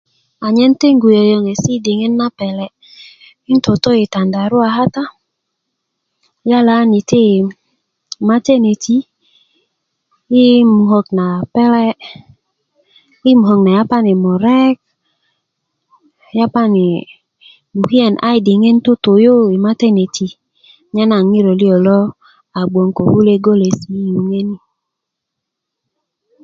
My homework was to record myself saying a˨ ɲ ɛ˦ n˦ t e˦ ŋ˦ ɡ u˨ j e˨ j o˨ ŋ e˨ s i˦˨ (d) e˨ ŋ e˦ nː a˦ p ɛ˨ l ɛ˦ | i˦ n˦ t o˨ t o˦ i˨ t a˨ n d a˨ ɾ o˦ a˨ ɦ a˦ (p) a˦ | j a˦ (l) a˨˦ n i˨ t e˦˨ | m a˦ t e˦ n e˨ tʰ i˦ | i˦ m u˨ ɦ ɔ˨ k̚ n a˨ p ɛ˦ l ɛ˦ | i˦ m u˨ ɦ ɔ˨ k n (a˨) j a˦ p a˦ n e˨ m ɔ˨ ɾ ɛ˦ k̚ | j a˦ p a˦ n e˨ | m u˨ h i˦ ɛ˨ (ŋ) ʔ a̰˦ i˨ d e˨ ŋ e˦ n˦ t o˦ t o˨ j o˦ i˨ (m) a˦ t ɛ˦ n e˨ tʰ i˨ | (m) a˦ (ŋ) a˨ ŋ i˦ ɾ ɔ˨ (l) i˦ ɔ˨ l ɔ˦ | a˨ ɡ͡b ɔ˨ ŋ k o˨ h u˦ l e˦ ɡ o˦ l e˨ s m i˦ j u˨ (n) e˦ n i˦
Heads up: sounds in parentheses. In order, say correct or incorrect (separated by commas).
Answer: correct, incorrect, correct, correct, incorrect, correct, incorrect, incorrect, correct, incorrect